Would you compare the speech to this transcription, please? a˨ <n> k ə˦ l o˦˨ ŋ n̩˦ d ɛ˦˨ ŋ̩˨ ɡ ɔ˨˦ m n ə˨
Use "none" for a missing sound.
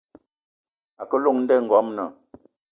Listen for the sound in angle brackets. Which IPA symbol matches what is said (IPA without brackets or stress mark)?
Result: none